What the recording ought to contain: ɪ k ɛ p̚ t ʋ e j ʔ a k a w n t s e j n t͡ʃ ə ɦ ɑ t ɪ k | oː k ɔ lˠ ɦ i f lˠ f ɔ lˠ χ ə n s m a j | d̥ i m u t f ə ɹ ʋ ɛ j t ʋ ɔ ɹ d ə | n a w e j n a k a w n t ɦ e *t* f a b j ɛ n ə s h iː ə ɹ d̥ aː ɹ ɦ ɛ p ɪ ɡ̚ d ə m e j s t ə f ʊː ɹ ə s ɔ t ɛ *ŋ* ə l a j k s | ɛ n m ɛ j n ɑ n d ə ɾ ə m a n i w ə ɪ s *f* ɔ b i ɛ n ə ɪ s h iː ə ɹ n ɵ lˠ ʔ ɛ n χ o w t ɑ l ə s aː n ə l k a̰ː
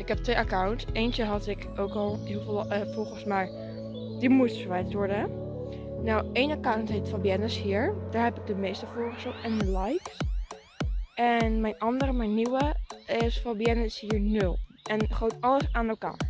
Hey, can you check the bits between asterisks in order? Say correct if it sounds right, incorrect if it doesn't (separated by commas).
correct, incorrect, correct